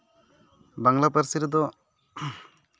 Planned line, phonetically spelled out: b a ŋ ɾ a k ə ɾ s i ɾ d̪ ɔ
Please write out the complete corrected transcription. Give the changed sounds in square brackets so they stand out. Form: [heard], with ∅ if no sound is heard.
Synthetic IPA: b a ŋ [l] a [p] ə ɾ s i ɾ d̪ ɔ